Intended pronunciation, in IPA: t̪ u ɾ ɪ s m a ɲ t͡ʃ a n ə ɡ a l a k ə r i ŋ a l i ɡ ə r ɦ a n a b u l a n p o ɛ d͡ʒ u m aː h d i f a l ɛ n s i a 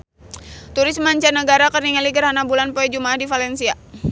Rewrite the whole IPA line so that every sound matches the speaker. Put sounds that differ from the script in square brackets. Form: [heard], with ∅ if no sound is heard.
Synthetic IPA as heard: t̪ u ɾ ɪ s m a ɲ t͡ʃ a n ə ɡ a [ɾ] a k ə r i ŋ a l i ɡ ə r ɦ a n a b u l a n p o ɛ d͡ʒ u m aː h d i f a l ɛ n s i a